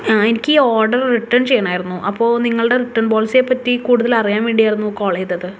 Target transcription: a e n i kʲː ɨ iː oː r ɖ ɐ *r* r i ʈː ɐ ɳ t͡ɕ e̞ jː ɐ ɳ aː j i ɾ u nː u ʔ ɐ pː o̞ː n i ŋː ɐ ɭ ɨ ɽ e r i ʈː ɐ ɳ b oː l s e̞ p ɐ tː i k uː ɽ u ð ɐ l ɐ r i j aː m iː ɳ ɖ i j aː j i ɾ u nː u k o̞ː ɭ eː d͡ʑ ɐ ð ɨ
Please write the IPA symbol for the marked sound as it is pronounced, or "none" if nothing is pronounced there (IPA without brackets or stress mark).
r